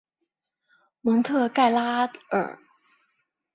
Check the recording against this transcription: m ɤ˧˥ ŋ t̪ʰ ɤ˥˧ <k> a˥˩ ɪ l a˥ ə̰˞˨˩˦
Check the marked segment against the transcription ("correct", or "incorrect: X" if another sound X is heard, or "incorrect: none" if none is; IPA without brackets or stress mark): correct